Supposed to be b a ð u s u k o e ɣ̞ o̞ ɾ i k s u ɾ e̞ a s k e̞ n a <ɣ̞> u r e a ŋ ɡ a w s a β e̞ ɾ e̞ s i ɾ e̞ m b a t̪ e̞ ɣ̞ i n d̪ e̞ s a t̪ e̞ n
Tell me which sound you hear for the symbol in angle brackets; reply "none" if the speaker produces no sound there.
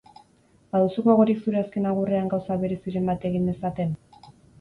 ɣ̞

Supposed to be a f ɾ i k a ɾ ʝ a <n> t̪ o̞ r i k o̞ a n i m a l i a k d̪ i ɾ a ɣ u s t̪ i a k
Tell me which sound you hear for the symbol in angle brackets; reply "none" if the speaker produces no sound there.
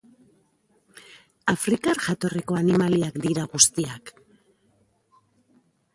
none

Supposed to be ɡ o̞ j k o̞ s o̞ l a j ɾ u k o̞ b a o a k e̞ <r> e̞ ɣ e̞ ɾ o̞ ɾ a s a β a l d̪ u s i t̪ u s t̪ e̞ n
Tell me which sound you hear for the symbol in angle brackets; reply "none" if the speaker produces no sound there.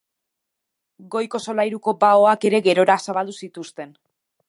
ɾ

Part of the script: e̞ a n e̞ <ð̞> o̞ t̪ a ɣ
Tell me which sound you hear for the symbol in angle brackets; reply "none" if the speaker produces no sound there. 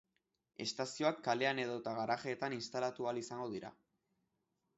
ð̞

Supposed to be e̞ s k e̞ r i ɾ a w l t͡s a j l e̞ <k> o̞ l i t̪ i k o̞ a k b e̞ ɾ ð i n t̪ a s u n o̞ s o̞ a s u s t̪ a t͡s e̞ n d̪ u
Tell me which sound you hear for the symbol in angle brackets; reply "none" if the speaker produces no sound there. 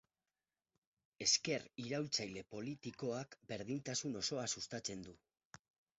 p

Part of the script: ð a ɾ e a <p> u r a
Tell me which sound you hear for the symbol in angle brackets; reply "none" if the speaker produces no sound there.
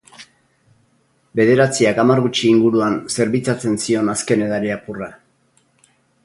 p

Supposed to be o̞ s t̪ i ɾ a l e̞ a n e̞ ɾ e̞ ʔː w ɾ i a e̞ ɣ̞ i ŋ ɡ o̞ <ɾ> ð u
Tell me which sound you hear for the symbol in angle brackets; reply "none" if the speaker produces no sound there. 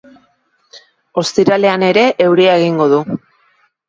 none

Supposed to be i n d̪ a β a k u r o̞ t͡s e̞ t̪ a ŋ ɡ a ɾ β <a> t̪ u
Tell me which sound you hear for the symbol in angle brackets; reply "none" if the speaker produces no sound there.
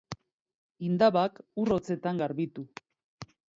i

